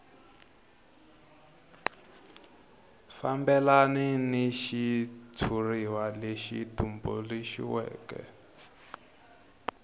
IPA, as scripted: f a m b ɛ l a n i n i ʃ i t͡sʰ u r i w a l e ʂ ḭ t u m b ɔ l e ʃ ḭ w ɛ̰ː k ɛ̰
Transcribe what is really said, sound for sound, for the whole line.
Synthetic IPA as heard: f a m b ɛ l a n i n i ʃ i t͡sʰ u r i w a l e ʃ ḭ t u m b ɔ l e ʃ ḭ w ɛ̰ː k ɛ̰